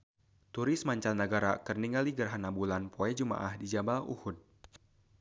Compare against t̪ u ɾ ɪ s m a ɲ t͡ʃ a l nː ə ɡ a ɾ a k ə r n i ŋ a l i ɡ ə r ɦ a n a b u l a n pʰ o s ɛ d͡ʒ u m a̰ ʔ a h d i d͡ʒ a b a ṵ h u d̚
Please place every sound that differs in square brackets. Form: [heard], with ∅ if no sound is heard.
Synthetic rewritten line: t̪ u ɾ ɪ s m a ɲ t͡ʃ a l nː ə ɡ a ɾ a k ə r n i ŋ a l i ɡ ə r ɦ a n a b u l a n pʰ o [∅] ɛ d͡ʒ u m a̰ ʔ a h d i d͡ʒ a b a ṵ h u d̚